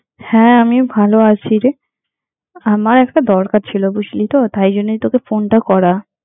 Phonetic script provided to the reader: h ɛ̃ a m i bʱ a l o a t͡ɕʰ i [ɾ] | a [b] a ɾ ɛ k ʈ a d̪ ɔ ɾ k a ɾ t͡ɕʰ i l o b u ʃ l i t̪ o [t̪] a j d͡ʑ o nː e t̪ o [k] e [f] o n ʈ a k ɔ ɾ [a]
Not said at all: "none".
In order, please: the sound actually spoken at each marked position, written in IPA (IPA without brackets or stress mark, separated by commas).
ɾ, m, t̪, k, f, a